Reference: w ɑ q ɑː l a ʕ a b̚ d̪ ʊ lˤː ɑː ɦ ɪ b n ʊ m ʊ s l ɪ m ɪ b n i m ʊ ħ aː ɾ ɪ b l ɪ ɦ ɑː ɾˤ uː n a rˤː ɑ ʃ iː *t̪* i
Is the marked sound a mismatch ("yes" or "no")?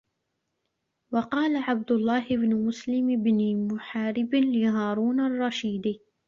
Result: yes